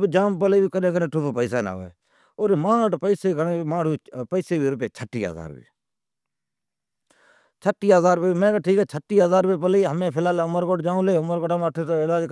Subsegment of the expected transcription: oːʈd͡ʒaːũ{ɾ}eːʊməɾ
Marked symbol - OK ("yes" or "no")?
no